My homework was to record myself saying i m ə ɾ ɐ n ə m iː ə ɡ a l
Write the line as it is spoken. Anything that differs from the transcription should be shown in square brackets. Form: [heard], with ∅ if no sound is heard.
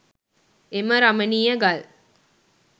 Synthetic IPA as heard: [e] m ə ɾ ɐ [m] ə [n] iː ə ɡ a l